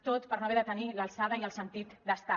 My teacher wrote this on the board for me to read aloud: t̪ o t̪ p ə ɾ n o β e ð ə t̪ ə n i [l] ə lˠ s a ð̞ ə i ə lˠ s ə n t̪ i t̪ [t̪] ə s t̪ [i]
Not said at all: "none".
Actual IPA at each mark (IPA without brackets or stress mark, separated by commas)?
l, d̪, a